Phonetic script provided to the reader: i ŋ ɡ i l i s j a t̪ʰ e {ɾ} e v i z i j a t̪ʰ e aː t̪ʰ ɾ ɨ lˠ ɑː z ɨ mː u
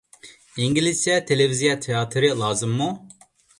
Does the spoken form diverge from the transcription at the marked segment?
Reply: yes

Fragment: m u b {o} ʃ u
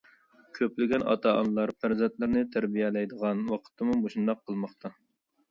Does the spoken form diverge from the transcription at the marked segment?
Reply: no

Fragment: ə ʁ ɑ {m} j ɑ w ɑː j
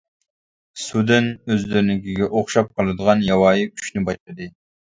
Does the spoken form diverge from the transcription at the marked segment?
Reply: yes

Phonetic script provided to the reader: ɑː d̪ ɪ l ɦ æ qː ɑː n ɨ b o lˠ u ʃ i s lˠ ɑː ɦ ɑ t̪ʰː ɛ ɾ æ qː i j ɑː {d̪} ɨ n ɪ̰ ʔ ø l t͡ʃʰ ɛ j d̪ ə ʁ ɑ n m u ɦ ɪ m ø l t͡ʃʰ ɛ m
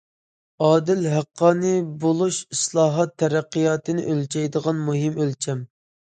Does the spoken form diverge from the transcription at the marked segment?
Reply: yes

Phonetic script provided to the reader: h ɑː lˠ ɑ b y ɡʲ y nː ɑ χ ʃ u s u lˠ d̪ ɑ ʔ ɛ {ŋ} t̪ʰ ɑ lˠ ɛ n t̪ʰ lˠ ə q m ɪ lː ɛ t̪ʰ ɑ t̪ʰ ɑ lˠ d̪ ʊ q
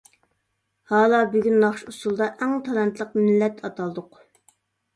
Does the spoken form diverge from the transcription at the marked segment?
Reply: no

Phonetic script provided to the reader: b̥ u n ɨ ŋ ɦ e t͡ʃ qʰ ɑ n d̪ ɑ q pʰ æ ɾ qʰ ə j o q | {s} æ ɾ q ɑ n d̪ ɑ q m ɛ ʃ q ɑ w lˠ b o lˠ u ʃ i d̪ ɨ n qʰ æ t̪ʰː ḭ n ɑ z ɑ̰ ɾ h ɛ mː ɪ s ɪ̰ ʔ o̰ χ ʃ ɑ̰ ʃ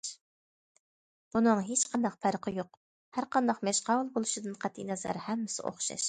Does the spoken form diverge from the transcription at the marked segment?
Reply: yes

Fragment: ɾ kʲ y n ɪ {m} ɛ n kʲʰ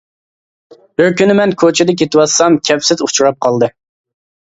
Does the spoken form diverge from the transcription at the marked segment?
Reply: no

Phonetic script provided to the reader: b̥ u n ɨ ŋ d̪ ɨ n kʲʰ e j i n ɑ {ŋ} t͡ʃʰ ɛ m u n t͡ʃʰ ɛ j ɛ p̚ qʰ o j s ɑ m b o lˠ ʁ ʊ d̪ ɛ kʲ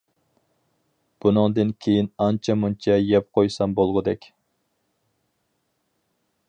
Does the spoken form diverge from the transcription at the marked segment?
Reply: yes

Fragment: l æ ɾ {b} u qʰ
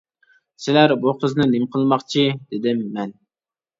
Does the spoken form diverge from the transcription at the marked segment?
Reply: no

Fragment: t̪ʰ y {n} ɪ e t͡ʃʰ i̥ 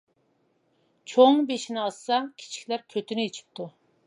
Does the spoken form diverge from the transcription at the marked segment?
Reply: no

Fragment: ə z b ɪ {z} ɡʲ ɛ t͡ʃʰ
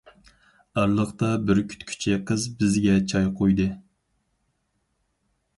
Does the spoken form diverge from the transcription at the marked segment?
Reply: no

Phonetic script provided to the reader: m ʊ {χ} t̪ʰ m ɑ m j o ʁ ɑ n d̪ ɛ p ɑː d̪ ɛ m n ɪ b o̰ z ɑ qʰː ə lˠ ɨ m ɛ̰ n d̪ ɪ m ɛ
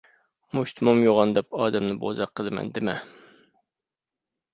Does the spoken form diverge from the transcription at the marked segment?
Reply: yes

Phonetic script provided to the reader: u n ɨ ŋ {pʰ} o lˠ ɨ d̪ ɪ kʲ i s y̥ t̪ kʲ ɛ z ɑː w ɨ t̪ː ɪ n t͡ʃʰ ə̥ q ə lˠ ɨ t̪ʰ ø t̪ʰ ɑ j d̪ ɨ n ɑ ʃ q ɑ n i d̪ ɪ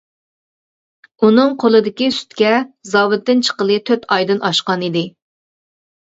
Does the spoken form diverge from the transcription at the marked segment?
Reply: yes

